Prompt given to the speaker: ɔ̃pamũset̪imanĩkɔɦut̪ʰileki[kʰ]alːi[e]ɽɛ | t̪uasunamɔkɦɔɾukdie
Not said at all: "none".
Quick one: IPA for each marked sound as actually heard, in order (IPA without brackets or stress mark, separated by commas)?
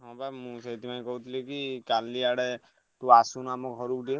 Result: k, a